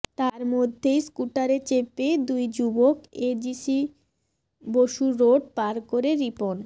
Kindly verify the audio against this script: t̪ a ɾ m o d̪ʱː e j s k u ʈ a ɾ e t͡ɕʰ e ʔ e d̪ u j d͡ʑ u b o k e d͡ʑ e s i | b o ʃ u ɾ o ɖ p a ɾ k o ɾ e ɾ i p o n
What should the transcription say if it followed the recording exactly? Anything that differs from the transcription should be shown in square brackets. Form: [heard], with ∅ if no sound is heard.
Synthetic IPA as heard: t̪ a ɾ m o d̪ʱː e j s k u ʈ a ɾ e [t͡ɕ] e [p] e d̪ u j d͡ʑ u b o k e d͡ʑ [i] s i | b o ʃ u ɾ o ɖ p a ɾ k o ɾ e ɾ i p o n

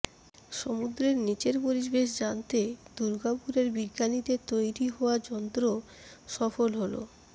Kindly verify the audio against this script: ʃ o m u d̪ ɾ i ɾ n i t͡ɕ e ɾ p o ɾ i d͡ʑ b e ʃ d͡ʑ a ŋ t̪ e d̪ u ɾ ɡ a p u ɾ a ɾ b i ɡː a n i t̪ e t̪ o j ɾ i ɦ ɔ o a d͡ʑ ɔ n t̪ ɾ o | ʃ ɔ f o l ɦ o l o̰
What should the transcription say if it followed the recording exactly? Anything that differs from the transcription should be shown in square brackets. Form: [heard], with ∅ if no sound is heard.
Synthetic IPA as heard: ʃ o m u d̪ ɾ [e] ɾ n i t͡ɕ e ɾ p o ɾ i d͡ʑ b e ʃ d͡ʑ a [n] t̪ e d̪ u ɾ ɡ a p u ɾ [e] ɾ b i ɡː a n i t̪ e t̪ o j ɾ i ɦ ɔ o a d͡ʑ ɔ n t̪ ɾ o | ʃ ɔ f o l ɦ o l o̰

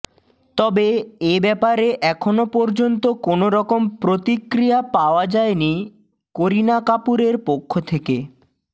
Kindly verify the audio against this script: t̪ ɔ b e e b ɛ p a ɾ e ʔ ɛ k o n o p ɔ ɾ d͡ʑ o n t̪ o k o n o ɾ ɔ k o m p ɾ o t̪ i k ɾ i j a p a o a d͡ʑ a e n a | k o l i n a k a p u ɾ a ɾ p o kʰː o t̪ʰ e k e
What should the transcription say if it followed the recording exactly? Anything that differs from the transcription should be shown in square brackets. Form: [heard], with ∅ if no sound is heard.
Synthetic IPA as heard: t̪ ɔ b e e b ɛ p a ɾ e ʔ ɛ [kʰ] o n o p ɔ ɾ d͡ʑ o n t̪ o k o n o ɾ ɔ k o m p ɾ o t̪ i k ɾ i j a p a o a d͡ʑ a e n [i] | k o [ɾ] i n a k a p u ɾ [e] ɾ p o kʰː o t̪ʰ e k e

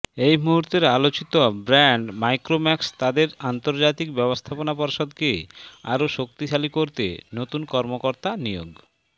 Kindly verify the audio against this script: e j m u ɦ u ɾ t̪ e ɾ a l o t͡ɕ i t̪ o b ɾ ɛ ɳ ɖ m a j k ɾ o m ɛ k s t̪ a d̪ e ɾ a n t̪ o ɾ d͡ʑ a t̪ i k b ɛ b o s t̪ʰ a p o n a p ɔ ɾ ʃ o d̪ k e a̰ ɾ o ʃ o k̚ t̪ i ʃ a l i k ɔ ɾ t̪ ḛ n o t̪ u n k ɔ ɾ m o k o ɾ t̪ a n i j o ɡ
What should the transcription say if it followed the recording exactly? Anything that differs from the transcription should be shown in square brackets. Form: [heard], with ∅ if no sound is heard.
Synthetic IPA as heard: e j m u ɦ u ɾ t̪ e ɾ a l o t͡ɕ i t̪ o b ɾ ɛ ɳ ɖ m a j k ɾ o m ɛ k s t̪ a d̪ e ɾ a n t̪ o ɾ d͡ʑ a t̪ i k b ɛ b o s t̪ʰ a p o n a p ɔ ɾ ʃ o d̪ k e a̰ ɾ o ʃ o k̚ t̪ i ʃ a l i k [o] ɾ t̪ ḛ n o t̪ u n k ɔ ɾ m o k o ɾ t̪ a n i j o ɡ

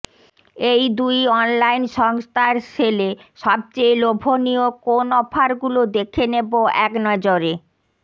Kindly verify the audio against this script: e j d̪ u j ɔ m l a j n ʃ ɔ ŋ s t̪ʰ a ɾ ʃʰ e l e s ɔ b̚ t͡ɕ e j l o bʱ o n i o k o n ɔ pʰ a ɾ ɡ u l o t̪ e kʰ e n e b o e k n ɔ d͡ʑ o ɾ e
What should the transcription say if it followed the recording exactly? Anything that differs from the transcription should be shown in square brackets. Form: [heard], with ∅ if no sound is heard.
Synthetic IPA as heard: e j d̪ u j ɔ [n] l a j n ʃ ɔ ŋ s t̪ʰ a ɾ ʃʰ e l e [ʃ] ɔ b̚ t͡ɕ e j l o bʱ o n i o k o n ɔ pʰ a ɾ ɡ u l o [d̪] e kʰ e n e b o [ɛ] k n ɔ d͡ʑ o ɾ e

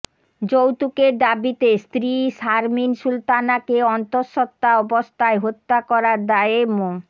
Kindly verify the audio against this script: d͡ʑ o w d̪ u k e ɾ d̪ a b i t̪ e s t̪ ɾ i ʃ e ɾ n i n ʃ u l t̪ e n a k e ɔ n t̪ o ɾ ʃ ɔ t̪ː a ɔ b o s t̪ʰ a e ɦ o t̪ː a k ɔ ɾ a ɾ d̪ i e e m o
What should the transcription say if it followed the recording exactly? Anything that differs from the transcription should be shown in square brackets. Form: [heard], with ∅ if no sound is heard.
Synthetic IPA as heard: d͡ʑ o w [t̪] u k e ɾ d̪ a b i t̪ e s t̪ ɾ i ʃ [a] ɾ [m] i n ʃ u l t̪ [a] n a k e ɔ n t̪ o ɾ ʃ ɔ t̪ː a ɔ b o s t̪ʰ a e ɦ o t̪ː a k ɔ ɾ a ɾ d̪ [a] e e m o

